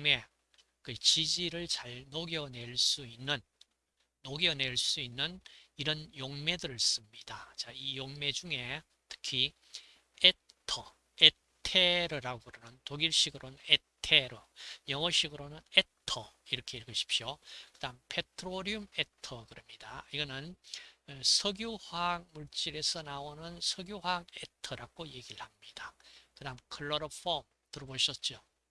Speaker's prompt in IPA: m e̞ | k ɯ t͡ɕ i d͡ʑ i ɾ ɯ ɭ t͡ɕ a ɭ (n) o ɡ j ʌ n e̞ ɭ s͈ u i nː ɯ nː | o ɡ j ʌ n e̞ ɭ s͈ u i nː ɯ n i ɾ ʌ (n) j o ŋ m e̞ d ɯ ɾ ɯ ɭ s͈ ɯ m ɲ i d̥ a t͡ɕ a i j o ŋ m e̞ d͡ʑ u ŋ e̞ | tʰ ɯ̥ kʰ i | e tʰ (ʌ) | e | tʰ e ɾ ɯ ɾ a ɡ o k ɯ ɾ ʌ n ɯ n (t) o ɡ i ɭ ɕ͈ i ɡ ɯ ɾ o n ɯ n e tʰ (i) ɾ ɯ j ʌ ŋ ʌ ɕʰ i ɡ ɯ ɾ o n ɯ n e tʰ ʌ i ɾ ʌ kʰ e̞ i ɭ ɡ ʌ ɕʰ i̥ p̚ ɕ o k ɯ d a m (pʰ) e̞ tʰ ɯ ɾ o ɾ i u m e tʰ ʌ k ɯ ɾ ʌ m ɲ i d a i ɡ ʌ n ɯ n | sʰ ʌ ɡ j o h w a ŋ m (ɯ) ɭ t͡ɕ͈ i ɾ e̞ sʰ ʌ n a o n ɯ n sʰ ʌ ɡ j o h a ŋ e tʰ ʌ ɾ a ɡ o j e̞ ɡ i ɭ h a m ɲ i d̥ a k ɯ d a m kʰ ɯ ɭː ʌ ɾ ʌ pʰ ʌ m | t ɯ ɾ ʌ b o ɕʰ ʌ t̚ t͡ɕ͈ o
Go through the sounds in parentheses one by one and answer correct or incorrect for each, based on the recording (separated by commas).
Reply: correct, correct, correct, correct, incorrect, correct, incorrect